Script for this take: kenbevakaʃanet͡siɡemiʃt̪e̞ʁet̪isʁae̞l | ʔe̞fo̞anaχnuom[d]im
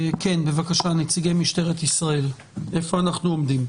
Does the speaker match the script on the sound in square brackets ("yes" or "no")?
yes